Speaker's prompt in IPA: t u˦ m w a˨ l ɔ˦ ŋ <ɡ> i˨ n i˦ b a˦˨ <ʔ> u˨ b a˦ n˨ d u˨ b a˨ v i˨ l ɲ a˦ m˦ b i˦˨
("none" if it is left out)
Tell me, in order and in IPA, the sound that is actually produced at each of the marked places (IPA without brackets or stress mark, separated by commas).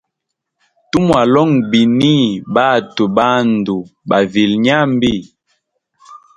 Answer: b, t